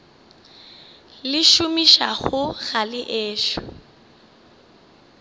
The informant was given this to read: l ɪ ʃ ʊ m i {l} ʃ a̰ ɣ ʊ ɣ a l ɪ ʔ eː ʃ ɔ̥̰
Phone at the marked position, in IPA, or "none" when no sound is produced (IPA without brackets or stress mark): none